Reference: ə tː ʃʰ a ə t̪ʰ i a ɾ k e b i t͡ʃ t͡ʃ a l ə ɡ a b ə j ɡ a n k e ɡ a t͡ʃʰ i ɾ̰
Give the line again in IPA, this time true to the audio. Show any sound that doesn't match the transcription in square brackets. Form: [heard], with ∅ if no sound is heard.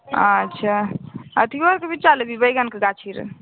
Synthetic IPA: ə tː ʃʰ a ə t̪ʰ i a ɾ k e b i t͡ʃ t͡ʃ a l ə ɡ [i] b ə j ɡ a n k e ɡ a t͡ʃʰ i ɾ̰